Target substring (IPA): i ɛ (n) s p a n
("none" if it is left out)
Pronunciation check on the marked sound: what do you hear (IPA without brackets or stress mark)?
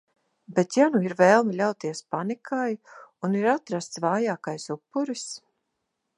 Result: none